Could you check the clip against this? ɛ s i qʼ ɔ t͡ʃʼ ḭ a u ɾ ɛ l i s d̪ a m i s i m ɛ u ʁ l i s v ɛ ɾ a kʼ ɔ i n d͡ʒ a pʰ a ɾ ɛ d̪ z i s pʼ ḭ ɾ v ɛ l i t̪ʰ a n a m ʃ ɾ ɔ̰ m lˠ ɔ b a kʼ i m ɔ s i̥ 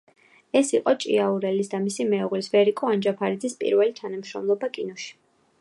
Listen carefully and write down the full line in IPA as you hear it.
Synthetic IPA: ɛ s i qʼ ɔ t͡ʃʼ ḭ a u ɾ ɛ l i s d̪ a m i s i m ɛ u ʁ l i s v ɛ ɾ i kʼ ɔ a n d͡ʒ a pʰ a ɾ i d̪ z i s pʼ ḭ ɾ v ɛ l i t̪ʰ a n a m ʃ ɾ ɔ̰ m lˠ ɔ b a kʼ i n ɔ ʃ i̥